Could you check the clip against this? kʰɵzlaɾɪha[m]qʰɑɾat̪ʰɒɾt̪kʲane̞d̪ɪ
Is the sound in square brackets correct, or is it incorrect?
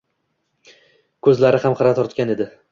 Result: correct